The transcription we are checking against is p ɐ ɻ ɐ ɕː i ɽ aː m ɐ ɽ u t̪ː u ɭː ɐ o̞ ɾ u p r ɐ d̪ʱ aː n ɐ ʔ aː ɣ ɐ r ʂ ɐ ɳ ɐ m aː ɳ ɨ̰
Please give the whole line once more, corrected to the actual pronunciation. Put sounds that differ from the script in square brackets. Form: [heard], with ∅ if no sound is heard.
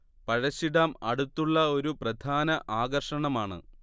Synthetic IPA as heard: p ɐ ɻ ɐ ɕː i ɽ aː m ɐ ɽ u t̪ː u ɭː ɐ o̞ ɾ u p r ɐ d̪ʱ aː n ɐ ʔ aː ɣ ɐ r ʂ ɐ ɳ ɐ m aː ɳ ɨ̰